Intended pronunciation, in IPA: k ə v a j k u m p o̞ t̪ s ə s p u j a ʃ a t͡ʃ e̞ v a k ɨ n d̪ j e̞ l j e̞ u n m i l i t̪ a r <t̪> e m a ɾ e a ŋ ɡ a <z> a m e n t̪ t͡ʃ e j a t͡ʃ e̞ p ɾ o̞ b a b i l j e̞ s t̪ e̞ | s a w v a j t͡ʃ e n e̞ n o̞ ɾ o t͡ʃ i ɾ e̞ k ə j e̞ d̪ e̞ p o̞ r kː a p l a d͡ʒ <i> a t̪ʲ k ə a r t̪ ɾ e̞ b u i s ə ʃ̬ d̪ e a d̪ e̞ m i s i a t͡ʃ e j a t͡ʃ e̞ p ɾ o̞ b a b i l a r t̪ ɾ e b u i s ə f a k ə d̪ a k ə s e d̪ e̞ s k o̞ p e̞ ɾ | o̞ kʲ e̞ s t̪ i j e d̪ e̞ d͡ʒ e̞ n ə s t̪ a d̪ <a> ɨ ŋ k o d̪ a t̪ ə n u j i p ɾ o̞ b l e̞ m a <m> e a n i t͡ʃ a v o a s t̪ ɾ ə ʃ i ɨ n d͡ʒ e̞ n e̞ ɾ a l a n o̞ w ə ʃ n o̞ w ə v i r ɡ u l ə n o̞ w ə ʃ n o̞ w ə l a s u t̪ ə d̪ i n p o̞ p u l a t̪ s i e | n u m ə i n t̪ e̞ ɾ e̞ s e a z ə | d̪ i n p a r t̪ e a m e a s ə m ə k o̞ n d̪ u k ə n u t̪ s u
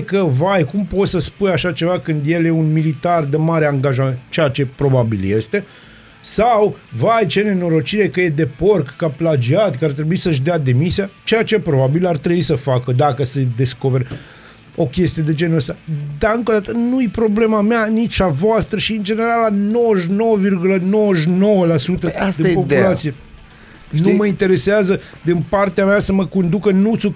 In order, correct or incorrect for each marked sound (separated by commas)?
incorrect, incorrect, correct, correct, correct